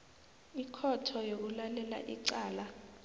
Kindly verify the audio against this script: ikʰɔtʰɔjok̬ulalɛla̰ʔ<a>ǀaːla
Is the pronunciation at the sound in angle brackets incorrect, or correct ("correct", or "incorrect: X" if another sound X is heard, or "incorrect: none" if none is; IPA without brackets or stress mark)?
incorrect: i